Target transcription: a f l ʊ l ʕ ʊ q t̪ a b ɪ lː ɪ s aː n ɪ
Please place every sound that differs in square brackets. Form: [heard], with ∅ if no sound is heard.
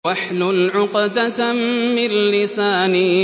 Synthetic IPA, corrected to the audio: a [ħ] l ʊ l ʕ ʊ q [d̪] a [m] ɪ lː ɪ s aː n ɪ